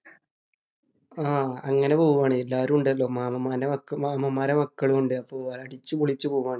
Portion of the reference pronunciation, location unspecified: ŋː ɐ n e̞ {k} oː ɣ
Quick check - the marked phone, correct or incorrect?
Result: incorrect